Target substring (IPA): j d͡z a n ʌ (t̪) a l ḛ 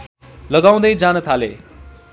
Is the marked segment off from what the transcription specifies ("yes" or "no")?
yes